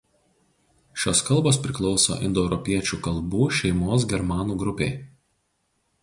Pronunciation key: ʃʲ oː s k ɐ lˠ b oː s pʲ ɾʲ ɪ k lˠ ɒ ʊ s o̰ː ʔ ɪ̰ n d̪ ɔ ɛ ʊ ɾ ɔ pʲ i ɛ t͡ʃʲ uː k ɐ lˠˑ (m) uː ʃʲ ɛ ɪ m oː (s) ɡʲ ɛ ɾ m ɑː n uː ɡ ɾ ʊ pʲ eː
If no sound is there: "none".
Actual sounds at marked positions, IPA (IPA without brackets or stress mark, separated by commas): b, s